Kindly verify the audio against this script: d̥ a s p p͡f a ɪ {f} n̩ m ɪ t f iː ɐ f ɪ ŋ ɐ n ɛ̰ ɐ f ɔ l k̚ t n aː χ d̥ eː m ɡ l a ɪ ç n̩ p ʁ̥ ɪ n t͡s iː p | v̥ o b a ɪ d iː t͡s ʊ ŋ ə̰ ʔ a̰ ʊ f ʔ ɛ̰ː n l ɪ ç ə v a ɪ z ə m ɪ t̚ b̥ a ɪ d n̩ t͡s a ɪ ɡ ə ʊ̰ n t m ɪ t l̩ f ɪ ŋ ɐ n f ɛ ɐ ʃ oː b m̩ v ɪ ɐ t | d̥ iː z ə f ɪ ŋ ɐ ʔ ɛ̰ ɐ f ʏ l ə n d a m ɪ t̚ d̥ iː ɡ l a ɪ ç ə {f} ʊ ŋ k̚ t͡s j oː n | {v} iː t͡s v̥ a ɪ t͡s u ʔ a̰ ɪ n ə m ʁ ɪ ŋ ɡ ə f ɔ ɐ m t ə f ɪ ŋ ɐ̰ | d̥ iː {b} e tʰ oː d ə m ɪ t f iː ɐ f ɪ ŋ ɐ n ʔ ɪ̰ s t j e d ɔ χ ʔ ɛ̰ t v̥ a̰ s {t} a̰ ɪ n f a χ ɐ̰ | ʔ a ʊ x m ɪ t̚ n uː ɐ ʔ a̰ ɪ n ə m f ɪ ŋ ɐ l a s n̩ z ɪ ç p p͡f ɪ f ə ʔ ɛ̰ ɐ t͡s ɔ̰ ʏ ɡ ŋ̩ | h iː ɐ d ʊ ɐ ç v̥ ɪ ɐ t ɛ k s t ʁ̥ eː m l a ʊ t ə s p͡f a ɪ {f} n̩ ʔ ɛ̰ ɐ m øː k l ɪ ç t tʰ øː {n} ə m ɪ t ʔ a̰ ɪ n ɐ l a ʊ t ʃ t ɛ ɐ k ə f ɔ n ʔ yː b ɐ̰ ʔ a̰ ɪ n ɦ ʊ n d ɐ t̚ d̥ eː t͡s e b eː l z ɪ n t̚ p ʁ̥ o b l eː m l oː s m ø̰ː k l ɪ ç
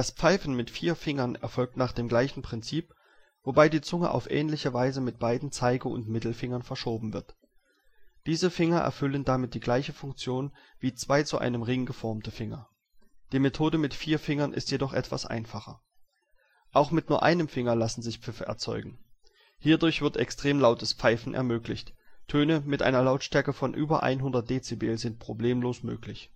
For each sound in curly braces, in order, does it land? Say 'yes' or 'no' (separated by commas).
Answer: yes, yes, yes, no, no, yes, yes